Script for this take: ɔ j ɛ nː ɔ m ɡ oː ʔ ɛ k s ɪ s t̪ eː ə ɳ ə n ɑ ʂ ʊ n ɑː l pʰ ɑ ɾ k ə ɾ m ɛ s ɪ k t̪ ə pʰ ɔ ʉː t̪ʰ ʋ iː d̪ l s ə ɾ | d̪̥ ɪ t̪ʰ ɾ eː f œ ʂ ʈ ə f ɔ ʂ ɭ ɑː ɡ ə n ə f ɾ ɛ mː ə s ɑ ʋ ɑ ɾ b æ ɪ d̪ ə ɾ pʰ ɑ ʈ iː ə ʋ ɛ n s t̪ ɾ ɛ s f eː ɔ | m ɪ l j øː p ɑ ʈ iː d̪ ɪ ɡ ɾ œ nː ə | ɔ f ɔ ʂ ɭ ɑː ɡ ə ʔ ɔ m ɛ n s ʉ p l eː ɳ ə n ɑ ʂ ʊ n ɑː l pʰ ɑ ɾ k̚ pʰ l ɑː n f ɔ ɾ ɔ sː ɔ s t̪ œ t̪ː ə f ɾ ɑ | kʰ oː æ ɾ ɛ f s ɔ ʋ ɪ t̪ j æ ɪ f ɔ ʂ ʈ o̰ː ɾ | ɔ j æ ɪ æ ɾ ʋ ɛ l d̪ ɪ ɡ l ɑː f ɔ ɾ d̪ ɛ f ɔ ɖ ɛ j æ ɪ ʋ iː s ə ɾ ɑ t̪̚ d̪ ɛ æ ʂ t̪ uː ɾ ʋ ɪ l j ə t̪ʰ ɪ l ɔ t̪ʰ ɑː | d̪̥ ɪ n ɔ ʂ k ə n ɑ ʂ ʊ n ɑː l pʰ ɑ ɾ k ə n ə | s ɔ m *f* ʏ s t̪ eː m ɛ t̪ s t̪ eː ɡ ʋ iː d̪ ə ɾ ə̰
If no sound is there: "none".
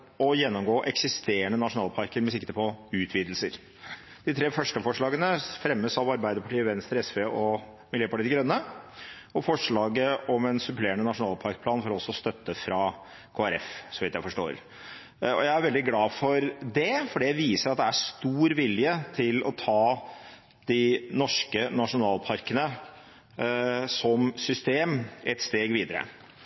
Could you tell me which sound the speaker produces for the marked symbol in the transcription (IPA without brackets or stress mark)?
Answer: s